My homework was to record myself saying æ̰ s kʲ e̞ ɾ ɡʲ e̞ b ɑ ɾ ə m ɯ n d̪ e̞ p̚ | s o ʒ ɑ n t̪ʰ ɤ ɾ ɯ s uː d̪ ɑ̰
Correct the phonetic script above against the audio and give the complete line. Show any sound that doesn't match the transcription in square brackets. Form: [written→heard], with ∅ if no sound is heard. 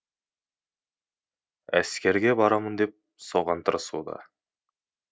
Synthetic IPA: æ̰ s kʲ e̞ ɾ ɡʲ e̞ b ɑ ɾ [ə→ɑ] m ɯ n d̪ e̞ p̚ | s o [ʒ→ʁ] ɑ n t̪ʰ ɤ ɾ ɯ s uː d̪ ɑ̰

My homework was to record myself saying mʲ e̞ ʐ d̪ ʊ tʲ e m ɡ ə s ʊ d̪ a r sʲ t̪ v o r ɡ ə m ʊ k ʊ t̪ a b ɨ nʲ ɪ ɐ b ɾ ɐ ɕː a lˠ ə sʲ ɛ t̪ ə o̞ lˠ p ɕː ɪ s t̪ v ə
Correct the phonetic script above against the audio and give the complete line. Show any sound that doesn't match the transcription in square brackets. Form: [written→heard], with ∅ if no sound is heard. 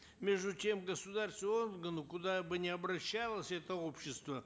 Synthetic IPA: mʲ e̞ ʐ d̪ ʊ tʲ e m ɡ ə s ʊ d̪ a r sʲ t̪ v o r ɡ ə [m→n] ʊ k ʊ [t̪→d̪] a b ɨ nʲ ɪ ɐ b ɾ ɐ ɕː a lˠ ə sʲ ɛ t̪ ə o̞ [lˠ→∅] p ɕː ɪ s t̪ v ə

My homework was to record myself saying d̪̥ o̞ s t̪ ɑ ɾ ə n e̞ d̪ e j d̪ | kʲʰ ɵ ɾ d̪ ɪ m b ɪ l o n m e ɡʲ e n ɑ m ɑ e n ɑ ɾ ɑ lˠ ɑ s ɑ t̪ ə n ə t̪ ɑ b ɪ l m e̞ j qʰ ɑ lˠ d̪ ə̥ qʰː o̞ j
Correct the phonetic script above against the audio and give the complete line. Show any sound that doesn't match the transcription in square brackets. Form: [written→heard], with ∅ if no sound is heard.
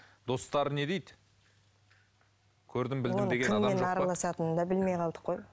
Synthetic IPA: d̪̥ o̞ s t̪ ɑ ɾ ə n e̞ d̪ e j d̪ | kʲʰ ɵ ɾ d̪ ɪ m b ɪ l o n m e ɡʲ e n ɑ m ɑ e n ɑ ɾ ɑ lˠ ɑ s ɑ t̪ ə n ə [t̪→d̪] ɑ b ɪ l m e̞ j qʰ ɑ lˠ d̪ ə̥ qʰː o̞ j

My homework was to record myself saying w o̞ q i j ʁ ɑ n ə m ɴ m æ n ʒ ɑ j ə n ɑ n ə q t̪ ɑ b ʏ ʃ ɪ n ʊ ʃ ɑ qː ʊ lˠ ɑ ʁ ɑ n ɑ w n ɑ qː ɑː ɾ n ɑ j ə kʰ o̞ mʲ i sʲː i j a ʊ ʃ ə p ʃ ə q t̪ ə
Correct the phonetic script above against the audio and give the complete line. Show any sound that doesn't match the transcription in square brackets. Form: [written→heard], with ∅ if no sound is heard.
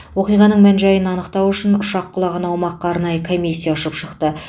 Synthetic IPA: w o̞ q i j ʁ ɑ n ə [m→∅] ɴ m æ n ʒ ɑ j ə n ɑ n ə q t̪ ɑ [b→w] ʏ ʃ ɪ n ʊ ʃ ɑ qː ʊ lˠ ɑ ʁ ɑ n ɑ w [n→m] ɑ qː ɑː ɾ n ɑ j ə kʰ o̞ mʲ i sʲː i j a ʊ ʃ ə p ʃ ə q t̪ ə

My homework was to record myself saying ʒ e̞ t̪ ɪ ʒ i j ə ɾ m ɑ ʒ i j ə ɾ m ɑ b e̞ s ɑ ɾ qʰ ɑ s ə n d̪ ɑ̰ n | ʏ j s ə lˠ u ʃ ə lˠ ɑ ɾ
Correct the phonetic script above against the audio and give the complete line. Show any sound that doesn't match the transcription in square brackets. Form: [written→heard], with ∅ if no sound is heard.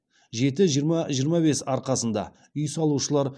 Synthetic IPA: ʒ e̞ t̪ ɪ ʒ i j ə ɾ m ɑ ʒ i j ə ɾ m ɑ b e̞ s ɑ ɾ [qʰ→q] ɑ s ə n d̪ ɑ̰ [n→∅] | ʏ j s [ə→ɑ] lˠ u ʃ ə lˠ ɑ ɾ

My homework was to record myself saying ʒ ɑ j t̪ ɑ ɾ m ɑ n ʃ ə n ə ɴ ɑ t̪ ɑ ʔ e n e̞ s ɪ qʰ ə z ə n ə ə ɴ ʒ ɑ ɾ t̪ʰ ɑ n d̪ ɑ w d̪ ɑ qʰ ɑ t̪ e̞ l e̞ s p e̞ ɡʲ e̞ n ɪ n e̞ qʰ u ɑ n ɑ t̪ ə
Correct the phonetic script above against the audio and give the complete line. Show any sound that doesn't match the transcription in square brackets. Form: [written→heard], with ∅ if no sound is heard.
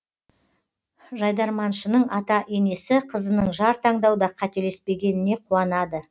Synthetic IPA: ʒ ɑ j [t̪→d̪] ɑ ɾ m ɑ n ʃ ə n ə ɴ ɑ t̪ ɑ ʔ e n e̞ s ɪ qʰ ə z ə n ə ə ɴ ʒ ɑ ɾ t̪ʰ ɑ [n→ɴ] d̪ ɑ w d̪ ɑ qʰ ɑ t̪ e̞ l e̞ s p e̞ ɡʲ e̞ n ɪ n e̞ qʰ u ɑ n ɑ [t̪→d̪] ə

